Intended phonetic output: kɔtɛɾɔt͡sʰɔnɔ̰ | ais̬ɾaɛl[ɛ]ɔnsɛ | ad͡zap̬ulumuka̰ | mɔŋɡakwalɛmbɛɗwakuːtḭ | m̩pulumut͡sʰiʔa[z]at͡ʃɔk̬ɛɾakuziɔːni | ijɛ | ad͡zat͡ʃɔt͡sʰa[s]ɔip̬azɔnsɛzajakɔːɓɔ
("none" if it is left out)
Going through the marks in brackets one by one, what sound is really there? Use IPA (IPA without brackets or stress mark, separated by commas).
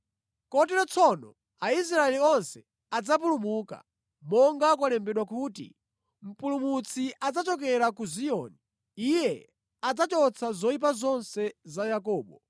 i, d͡z, z